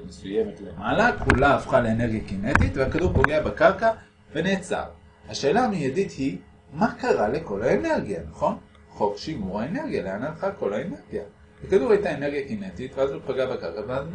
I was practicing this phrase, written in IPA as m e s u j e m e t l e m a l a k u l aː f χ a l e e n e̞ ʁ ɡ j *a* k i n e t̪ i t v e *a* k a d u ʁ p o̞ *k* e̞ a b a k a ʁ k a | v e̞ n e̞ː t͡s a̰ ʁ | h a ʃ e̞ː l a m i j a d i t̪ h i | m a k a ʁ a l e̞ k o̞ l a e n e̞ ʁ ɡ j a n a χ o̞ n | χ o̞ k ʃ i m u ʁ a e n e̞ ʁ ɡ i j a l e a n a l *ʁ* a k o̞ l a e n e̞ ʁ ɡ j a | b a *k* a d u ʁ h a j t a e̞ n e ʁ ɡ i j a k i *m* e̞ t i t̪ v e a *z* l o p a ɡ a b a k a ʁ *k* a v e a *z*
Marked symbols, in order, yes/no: yes, yes, no, no, yes, no, yes, yes, yes

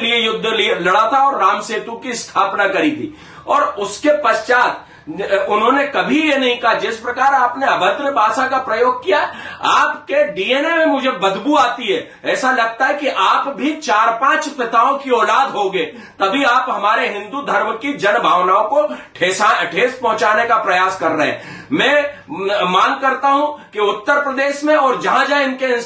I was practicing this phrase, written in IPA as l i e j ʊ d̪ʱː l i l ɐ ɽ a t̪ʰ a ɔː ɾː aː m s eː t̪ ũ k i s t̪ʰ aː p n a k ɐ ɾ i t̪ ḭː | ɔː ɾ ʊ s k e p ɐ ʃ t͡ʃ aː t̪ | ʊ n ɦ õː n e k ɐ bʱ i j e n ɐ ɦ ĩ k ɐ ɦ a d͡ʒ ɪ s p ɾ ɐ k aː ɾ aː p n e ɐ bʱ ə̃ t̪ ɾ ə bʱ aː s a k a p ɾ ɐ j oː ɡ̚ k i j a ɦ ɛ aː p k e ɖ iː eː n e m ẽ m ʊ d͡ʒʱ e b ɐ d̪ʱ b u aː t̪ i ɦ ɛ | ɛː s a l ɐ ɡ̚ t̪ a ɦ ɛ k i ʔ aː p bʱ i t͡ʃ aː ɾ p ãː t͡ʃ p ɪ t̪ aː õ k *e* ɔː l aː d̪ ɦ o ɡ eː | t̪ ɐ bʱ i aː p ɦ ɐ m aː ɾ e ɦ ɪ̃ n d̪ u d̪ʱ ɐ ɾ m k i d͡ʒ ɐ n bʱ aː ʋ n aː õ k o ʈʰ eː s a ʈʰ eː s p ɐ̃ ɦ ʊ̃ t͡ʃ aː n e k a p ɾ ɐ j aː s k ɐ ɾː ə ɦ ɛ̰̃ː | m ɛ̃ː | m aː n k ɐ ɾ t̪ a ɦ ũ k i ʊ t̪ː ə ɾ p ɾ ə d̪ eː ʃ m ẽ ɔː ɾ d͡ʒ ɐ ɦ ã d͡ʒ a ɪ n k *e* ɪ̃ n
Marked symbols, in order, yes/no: no, yes

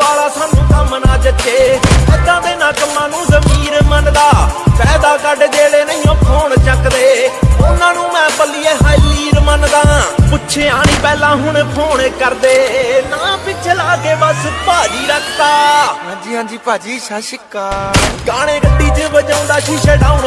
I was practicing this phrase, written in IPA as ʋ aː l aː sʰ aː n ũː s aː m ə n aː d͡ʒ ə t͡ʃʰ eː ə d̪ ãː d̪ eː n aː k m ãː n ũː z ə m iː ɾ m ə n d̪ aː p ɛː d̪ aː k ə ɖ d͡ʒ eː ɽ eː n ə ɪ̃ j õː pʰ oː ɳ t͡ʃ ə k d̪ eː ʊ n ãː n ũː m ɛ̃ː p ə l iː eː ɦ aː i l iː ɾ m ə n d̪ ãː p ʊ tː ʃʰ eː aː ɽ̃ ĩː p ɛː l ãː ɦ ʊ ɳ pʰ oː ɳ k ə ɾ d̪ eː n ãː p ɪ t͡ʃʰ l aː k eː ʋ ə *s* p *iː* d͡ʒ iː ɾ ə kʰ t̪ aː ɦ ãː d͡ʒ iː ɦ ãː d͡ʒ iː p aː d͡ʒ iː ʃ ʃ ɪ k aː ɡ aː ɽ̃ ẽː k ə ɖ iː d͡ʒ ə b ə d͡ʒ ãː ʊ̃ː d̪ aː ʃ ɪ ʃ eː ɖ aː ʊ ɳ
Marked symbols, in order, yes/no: yes, no

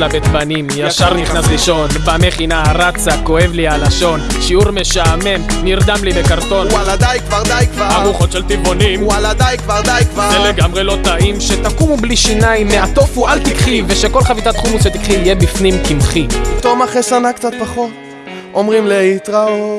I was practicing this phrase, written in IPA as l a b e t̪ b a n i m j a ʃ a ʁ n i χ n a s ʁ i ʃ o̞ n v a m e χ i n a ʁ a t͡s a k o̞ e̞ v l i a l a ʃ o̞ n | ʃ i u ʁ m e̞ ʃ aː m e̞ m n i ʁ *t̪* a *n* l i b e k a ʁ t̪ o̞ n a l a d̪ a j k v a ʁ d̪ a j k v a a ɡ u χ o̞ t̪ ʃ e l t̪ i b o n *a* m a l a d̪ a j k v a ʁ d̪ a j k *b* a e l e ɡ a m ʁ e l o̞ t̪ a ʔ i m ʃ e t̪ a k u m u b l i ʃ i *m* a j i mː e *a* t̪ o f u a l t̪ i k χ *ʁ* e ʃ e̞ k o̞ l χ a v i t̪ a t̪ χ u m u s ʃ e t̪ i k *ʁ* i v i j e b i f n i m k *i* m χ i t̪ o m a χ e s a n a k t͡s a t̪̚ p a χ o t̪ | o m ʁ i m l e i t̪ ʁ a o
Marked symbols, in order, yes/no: no, no, no, no, no, yes, no, no, yes

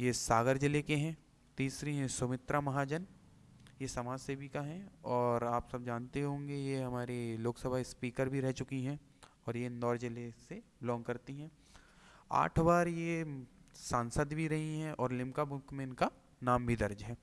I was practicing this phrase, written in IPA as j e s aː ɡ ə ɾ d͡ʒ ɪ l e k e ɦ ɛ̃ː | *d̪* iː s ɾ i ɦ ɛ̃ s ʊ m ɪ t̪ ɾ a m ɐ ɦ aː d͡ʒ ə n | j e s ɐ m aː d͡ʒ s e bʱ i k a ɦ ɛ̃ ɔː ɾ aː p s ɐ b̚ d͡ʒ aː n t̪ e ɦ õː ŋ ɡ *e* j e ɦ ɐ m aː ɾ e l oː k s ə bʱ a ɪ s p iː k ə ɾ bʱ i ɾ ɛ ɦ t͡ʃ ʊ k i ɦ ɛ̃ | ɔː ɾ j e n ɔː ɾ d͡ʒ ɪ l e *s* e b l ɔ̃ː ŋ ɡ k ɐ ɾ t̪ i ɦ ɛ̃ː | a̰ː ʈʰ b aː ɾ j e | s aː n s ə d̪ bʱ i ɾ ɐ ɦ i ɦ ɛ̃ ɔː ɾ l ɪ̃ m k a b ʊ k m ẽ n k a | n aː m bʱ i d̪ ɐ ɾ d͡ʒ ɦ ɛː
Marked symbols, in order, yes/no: no, yes, yes

